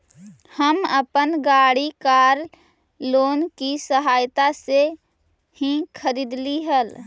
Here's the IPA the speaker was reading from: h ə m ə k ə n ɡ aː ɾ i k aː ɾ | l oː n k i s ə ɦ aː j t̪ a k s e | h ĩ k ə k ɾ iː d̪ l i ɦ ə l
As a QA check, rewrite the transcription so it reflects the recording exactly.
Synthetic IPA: h ə m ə p ə n ɡ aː ɽ i k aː ɾ | l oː n k i s ə ɦ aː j t̪ a s e | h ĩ kʰ ə ɾ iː d̪ l i ɦ ə l